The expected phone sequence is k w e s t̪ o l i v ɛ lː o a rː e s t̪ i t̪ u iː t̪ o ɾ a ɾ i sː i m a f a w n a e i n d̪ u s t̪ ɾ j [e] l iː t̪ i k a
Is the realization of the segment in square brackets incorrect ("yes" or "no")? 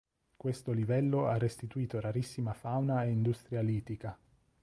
yes